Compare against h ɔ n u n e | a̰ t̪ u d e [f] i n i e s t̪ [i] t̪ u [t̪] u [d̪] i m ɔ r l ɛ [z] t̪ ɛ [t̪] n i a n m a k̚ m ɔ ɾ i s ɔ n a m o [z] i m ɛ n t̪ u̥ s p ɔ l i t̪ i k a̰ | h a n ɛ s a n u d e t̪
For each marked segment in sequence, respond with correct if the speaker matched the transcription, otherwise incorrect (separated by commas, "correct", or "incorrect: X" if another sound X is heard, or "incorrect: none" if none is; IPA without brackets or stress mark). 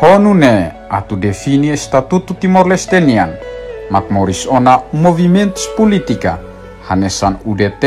correct, incorrect: a, correct, incorrect: t̪, incorrect: s, incorrect: none, incorrect: v